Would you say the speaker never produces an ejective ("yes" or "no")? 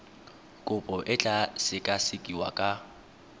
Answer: no